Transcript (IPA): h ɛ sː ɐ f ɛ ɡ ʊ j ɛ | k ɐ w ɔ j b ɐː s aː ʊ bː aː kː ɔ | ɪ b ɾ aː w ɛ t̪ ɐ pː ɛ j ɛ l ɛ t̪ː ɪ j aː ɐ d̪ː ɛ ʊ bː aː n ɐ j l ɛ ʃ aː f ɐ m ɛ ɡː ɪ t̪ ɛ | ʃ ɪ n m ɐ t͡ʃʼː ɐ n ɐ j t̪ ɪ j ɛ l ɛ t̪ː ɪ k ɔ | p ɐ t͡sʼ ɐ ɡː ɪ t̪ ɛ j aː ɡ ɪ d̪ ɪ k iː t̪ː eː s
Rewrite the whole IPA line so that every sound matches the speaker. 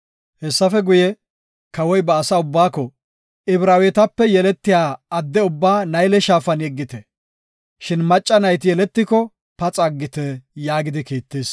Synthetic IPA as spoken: h ɛ sː ɐ f ɛ ɡ ʊ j ɛ | k ɐ w ɔ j b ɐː s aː ʊ bː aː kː ɔ | ɪ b ɾ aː w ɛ t̪ ɐ pː ɛ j ɛ l ɛ t̪ː ɪ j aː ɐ d̪ː ɛ ʊ bː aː n ɐ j l ɛ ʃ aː f ɐ n ɛ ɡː ɪ t̪ ɛ | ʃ ɪ n m ɐ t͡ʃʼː ɐ n ɐ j t̪ ɪ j ɛ l ɛ t̪ː ɪ k ɔ | p ɐ t͡sʼ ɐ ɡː ɪ t̪ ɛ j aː ɡ ɪ d̪ ɪ k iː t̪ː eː s